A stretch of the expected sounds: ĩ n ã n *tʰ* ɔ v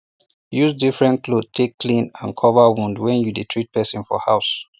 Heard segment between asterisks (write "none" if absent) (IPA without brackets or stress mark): kʰ